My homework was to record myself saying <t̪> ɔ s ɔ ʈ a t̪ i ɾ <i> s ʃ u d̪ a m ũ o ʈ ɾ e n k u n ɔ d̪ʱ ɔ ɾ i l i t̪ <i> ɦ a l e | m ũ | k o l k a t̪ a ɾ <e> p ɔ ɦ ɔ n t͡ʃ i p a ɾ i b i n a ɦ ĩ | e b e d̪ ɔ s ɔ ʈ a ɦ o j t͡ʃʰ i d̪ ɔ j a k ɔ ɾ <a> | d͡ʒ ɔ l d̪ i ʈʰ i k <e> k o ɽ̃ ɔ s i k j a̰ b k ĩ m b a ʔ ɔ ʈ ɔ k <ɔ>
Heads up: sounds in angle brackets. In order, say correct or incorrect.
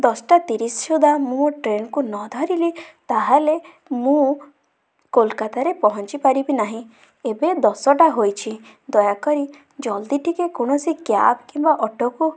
incorrect: d̪, correct, incorrect: a, correct, incorrect: i, correct, incorrect: u

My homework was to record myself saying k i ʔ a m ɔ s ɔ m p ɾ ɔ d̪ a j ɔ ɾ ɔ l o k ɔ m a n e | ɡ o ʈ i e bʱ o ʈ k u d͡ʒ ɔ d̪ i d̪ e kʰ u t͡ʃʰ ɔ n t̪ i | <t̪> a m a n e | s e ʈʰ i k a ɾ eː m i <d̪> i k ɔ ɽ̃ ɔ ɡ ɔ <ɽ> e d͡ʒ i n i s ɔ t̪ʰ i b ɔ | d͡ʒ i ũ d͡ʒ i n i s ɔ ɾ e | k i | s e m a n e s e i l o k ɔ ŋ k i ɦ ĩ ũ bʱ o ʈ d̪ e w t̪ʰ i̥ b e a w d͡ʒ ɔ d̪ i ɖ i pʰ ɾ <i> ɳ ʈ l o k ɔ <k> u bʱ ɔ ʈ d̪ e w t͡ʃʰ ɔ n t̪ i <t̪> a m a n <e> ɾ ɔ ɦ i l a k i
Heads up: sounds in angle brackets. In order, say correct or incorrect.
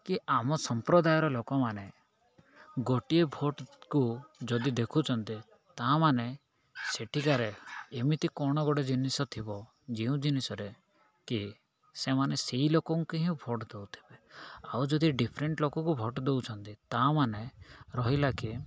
correct, incorrect: t̪, correct, incorrect: e, correct, correct, correct

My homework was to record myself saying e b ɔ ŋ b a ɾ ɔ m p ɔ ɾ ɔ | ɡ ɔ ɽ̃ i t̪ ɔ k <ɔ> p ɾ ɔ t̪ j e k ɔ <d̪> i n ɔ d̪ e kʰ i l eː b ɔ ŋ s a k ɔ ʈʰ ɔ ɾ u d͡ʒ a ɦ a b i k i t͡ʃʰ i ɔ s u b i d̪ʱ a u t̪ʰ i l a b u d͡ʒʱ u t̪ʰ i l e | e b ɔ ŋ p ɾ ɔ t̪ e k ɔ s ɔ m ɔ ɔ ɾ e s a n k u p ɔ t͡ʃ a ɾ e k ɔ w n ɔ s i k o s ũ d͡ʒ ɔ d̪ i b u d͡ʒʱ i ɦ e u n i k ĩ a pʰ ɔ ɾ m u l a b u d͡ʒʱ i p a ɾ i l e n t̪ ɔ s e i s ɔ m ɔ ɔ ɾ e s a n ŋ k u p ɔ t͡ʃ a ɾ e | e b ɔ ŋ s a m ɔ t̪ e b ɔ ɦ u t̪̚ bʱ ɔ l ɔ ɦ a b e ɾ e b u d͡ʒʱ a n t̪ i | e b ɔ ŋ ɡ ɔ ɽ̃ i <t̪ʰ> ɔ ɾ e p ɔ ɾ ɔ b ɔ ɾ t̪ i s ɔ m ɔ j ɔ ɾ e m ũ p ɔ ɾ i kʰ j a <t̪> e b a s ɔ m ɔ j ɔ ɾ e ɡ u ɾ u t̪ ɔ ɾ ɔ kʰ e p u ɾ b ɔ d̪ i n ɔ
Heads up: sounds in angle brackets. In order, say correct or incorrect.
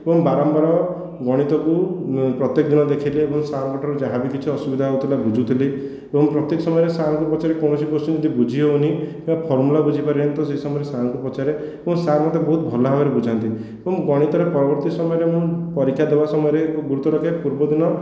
incorrect: u, correct, incorrect: t̪, incorrect: d̪

